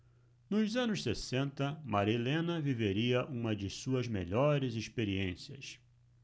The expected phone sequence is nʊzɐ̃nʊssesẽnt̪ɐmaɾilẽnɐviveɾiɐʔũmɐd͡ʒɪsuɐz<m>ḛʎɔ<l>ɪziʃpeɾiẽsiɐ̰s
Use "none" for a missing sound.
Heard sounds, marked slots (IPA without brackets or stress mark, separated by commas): m, ɾ